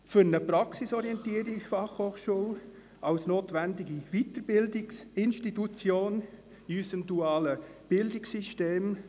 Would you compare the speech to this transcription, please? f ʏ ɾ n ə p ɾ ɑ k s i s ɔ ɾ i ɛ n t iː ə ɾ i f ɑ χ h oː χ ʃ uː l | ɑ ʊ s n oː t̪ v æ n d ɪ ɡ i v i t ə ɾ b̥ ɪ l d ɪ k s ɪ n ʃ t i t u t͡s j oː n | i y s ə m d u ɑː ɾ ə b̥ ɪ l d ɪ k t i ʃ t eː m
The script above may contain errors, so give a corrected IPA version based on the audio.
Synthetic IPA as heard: f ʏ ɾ n ə p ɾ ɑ k s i s ɔ ɾ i ɛ n t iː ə ɾ i f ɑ χ h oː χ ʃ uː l | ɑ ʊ s n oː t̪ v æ n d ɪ ɡ i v i t ə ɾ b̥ ɪ l d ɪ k s ɪ n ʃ t i t u t͡s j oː n | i y s ə m d u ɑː l ə b̥ ɪ l d ɪ k s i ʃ t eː m